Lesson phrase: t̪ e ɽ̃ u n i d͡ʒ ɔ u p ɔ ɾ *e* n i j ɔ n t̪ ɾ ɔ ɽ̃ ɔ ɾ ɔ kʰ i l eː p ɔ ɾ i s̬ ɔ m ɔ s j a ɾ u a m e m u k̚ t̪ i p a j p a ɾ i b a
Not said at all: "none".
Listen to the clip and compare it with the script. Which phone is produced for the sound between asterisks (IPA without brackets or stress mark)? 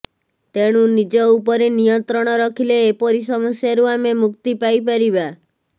e